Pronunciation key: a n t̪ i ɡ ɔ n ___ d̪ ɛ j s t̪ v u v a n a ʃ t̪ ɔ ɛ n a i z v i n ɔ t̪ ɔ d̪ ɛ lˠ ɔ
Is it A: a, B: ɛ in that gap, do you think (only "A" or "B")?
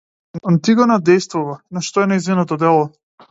A